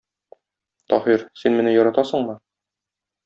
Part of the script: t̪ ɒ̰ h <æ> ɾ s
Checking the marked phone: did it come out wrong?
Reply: yes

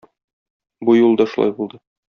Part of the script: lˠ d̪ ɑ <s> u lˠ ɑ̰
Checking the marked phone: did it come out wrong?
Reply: yes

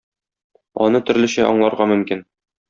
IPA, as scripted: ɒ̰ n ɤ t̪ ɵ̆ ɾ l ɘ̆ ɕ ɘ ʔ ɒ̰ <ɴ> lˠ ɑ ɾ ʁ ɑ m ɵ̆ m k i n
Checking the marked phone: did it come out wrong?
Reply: no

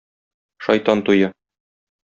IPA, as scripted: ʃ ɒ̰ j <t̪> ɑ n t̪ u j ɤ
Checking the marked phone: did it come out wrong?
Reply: no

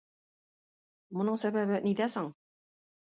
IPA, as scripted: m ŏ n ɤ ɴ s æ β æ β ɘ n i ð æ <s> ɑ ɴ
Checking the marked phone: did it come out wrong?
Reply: no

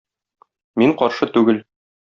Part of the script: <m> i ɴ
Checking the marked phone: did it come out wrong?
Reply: no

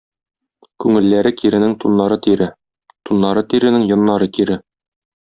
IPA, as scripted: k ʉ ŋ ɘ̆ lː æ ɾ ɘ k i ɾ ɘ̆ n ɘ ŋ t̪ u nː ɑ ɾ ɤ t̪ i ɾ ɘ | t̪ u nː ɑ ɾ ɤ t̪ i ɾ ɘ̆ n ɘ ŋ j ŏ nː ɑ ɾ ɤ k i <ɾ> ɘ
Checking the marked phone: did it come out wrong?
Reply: no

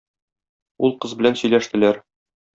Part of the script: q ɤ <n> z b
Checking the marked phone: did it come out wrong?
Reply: yes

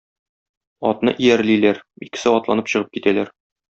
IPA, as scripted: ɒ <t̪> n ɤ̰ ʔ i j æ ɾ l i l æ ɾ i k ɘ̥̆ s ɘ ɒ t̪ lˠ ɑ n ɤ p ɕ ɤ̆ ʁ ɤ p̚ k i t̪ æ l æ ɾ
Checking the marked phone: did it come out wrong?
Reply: no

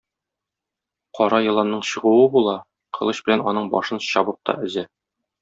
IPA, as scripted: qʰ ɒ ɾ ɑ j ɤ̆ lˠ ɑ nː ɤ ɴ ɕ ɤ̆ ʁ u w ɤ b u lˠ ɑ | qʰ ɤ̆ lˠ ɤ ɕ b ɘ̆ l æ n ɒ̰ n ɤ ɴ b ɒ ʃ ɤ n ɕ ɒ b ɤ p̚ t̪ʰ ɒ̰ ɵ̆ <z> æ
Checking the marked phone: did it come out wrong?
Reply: no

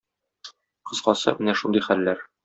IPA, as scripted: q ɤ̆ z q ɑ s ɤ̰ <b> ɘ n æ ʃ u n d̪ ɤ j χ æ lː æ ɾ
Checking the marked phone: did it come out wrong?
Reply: yes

